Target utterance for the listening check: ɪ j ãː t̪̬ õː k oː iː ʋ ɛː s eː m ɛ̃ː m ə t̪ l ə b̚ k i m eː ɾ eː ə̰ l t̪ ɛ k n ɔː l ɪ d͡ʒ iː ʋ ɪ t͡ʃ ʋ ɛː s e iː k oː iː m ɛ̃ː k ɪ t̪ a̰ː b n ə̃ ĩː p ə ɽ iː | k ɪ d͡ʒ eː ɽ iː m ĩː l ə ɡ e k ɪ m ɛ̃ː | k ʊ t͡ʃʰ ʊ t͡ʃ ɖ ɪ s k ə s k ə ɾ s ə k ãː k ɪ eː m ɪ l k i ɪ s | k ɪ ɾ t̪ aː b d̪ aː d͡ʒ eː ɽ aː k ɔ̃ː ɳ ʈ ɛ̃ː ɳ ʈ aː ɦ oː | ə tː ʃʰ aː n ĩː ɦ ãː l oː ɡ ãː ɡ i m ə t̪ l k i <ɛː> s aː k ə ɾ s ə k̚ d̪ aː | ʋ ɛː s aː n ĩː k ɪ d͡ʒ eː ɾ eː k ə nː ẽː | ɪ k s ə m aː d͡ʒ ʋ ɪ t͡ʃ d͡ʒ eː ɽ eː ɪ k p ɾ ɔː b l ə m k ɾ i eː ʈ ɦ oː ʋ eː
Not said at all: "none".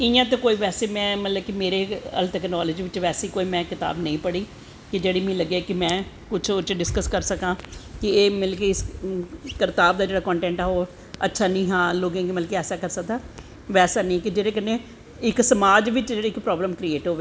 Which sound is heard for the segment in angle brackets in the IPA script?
ɛː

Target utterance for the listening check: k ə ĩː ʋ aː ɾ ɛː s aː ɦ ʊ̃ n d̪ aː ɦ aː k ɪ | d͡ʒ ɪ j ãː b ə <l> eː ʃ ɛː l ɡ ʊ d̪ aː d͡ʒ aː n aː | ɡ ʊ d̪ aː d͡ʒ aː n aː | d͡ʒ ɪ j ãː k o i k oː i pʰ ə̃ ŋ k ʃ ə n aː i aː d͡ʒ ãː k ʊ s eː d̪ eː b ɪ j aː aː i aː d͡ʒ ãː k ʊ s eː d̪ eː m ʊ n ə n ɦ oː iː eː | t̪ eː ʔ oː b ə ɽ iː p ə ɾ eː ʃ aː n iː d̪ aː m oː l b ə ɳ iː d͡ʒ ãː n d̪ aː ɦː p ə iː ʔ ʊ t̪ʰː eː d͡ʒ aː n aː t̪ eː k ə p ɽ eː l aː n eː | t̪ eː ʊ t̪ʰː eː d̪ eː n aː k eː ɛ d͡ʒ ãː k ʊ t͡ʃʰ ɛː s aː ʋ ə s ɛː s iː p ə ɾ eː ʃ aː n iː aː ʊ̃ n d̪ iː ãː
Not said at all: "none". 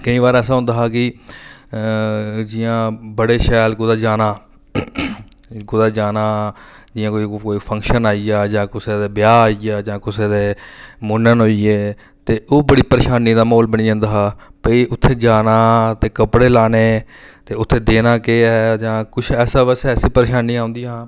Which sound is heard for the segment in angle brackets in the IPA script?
ɽ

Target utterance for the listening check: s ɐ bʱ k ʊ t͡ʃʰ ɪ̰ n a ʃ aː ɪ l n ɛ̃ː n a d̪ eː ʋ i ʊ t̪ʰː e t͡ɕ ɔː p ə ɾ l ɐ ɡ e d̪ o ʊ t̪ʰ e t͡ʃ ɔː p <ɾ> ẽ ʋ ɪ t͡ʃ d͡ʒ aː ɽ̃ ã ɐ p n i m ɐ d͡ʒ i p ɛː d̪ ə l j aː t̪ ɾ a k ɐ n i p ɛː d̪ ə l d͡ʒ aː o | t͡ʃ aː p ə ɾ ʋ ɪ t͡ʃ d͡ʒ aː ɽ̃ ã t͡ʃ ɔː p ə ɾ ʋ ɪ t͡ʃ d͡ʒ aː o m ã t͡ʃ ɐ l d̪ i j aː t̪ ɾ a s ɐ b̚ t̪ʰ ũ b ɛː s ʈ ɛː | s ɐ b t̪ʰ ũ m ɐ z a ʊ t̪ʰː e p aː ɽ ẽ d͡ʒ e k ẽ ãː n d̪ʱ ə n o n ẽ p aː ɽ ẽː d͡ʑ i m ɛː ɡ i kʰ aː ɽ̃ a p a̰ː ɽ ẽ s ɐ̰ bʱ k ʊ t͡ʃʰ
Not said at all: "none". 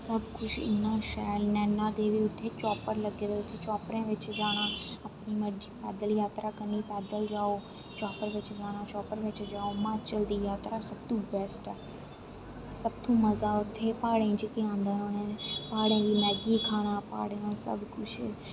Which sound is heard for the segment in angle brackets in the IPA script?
ɾ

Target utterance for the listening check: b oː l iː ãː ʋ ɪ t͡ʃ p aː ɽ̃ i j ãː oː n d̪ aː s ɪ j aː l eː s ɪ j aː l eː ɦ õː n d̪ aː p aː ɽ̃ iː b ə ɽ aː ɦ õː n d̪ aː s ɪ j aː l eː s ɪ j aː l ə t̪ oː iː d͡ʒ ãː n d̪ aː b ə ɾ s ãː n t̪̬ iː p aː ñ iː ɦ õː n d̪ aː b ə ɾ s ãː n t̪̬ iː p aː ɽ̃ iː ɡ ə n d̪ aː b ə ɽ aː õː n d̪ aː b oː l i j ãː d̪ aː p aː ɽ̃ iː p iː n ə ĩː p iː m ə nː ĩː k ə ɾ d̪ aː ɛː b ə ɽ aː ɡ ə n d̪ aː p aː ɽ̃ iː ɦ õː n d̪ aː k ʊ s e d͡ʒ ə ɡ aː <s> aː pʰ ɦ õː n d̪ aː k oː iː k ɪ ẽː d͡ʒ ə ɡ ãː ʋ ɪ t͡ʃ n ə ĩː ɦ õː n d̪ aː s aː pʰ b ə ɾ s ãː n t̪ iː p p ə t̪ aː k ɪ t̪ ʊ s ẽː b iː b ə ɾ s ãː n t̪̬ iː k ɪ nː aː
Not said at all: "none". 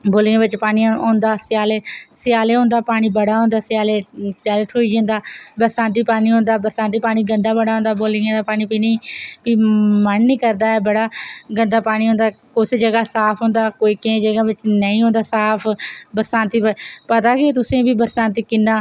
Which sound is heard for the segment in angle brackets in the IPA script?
s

